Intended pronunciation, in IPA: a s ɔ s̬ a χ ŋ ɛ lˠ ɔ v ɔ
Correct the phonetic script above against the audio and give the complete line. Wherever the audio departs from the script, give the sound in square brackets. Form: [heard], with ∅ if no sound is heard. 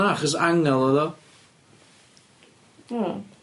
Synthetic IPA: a [χ] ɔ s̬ a [∅] ŋ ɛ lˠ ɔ [ð] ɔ